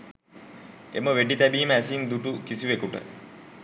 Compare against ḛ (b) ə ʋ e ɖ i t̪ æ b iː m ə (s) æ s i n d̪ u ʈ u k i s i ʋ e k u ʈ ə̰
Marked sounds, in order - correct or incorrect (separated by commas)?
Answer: incorrect, incorrect